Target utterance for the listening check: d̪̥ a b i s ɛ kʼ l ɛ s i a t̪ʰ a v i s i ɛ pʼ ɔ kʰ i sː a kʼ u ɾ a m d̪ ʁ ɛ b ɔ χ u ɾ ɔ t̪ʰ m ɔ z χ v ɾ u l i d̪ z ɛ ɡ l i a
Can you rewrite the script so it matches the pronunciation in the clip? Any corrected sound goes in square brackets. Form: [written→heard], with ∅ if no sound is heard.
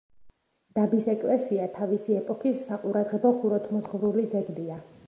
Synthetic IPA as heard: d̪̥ a b i s ɛ kʼ l ɛ s i a t̪ʰ a v i s i ɛ pʼ ɔ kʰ i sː a [kʼ→qʼ] u ɾ a [m→∅] d̪ ʁ ɛ b ɔ χ u ɾ ɔ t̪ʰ m ɔ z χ v ɾ u l i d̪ z ɛ ɡ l i a